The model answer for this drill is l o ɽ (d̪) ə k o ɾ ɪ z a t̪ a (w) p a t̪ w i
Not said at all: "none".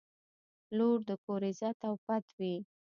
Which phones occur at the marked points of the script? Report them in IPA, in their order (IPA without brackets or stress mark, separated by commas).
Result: d̪, w